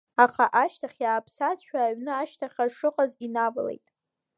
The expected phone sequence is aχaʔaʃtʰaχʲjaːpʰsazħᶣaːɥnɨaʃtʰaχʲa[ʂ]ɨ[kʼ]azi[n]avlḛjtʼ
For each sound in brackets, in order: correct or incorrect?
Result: correct, incorrect: qʼ, correct

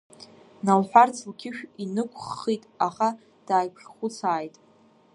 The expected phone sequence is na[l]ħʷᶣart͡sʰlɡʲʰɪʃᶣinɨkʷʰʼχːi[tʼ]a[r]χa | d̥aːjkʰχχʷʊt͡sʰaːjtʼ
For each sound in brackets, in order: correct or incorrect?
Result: correct, correct, incorrect: none

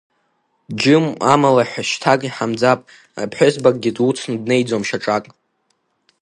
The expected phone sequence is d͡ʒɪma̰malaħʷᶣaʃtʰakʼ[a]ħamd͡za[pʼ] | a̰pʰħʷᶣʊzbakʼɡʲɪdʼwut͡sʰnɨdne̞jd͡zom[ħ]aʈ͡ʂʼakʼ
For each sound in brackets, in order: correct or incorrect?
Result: incorrect: i, correct, incorrect: ʃ

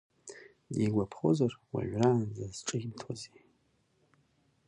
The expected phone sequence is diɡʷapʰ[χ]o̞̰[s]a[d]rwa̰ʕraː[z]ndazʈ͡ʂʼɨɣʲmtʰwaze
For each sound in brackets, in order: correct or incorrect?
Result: correct, incorrect: z, incorrect: none, incorrect: none

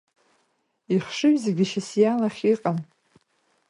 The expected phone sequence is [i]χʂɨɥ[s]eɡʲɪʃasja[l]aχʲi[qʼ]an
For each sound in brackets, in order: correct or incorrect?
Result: correct, incorrect: z, correct, correct

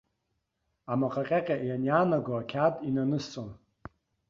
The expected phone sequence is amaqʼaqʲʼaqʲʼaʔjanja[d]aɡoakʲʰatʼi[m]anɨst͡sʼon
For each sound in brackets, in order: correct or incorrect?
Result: incorrect: n, incorrect: n

